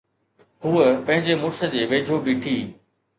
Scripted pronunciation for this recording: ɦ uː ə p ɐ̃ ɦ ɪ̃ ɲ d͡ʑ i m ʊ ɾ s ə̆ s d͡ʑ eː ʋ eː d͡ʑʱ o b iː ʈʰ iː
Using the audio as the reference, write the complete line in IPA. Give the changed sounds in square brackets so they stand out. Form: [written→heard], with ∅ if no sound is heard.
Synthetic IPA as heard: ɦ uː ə p ɐ̃ ɦ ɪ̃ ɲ d͡ʑ [i→e] m ʊ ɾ s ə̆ [s→∅] d͡ʑ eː ʋ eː d͡ʑʱ o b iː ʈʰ iː